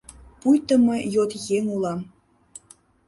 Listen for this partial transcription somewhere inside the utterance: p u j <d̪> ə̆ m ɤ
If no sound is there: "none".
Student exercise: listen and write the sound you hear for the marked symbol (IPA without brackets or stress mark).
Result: t̪